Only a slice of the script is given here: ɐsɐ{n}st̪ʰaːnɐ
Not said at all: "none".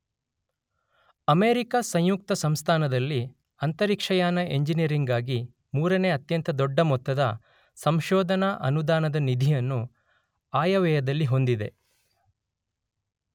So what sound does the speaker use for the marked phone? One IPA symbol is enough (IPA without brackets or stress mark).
m